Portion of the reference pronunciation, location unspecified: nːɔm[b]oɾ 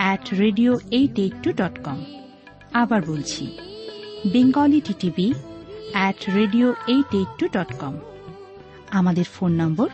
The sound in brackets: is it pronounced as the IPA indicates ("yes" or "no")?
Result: yes